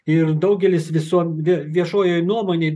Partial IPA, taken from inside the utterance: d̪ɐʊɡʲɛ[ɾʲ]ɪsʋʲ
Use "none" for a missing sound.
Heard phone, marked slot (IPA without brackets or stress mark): lʲ